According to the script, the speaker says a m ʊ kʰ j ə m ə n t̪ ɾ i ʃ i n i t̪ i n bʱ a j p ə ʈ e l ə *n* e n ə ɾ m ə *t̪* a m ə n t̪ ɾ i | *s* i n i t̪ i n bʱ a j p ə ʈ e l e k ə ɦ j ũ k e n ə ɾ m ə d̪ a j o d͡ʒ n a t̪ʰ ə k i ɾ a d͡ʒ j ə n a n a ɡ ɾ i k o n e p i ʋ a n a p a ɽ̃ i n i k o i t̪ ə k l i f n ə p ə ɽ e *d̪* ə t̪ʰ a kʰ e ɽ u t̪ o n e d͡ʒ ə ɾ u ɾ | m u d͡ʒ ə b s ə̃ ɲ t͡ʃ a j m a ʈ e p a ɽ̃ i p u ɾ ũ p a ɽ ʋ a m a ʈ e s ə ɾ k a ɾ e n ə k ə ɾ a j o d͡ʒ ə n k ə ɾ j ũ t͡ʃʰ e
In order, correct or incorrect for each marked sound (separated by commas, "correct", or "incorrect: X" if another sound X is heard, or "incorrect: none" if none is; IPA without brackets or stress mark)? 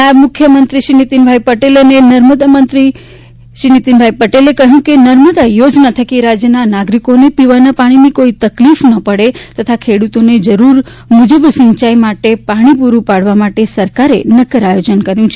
correct, incorrect: d̪, incorrect: ʃ, incorrect: t̪